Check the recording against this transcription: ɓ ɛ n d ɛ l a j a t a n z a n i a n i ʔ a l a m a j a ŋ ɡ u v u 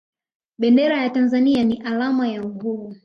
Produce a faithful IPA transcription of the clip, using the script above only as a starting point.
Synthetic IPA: ɓ ɛ n d ɛ ɾ a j a t a n z a n i a n i ʔ a l a m a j a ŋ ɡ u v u